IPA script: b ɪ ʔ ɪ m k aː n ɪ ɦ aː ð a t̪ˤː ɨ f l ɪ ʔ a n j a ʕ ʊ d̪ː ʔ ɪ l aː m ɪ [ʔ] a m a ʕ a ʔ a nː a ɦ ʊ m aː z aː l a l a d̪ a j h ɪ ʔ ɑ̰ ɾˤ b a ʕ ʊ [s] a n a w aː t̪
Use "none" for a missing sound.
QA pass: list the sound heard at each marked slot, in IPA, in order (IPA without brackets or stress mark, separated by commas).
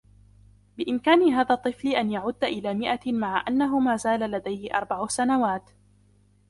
ʔ, s